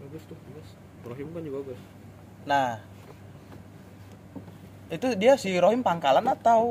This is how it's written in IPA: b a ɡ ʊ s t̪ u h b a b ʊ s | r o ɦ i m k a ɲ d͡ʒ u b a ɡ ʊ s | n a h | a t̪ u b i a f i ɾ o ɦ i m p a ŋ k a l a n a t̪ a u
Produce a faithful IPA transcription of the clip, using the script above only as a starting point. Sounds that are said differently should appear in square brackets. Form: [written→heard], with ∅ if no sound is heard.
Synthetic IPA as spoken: b a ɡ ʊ s t̪ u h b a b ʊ s | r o ɦ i m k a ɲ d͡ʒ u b a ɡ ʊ s | n a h | [a→i] t̪ u [b→d] i a [f→s] i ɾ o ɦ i m p a ŋ k a l a n a t̪ a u